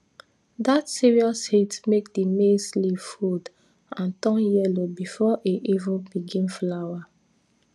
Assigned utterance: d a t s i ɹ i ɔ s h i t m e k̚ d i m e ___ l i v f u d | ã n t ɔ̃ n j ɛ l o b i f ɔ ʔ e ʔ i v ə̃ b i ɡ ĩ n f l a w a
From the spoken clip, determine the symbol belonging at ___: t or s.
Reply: s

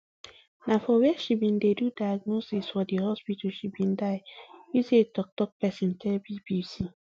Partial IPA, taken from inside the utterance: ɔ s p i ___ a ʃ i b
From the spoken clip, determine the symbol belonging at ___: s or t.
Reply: t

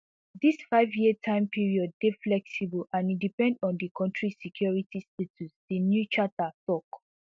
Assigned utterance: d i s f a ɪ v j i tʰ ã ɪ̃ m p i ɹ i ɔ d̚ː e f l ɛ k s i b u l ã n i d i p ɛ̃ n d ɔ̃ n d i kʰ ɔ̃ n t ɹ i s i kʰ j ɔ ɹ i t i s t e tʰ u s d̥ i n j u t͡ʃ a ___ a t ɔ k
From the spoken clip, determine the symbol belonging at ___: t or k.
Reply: t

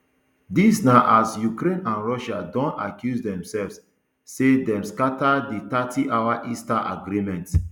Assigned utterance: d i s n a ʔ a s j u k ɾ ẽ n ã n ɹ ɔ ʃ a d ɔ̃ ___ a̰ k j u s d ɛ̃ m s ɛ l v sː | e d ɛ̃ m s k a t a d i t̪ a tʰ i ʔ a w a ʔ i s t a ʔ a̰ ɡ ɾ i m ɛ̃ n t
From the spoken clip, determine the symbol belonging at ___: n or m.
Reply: n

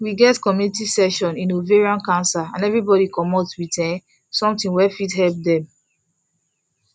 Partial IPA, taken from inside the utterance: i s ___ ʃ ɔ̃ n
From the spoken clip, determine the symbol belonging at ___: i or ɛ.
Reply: ɛ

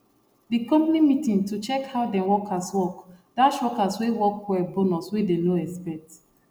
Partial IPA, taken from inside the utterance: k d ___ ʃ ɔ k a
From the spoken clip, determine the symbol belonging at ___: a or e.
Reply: a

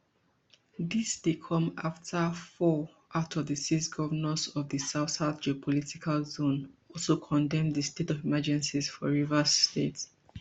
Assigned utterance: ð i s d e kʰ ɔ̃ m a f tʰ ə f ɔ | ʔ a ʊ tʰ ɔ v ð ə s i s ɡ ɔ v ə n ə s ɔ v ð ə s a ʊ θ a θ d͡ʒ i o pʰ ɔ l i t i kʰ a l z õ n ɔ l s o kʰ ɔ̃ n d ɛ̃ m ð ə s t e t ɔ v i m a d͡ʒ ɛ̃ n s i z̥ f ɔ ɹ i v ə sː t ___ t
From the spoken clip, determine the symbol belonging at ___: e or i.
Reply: e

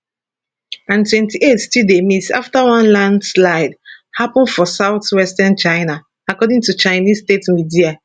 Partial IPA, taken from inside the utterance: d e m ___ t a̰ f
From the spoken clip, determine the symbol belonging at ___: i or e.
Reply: i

